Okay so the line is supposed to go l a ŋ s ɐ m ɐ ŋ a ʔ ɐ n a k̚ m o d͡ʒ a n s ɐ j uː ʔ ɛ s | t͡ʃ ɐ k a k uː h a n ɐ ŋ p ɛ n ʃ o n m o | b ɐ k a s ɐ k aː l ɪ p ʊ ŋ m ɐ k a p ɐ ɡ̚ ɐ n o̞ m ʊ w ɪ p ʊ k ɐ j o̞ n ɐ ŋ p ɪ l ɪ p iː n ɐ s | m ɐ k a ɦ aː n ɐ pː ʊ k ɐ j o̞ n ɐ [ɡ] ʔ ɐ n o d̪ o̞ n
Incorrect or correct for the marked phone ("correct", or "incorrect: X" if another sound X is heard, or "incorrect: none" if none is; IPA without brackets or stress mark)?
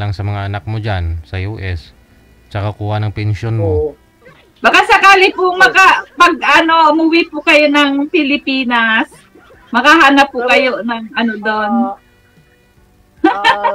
incorrect: ŋ